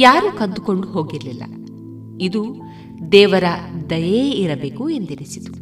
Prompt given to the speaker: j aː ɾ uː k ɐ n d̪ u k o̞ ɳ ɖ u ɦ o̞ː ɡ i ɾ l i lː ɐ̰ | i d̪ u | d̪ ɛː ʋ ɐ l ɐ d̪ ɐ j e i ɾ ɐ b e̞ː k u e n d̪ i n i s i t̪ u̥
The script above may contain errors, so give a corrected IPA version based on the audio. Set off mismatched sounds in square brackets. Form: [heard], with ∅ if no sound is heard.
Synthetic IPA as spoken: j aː ɾ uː k ɐ n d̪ u k o̞ ɳ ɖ u ɦ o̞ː ɡ i ɾ l i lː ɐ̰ | i d̪ u | d̪ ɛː ʋ ɐ [ɾ] ɐ d̪ ɐ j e i ɾ ɐ b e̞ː k u e n d̪ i n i s i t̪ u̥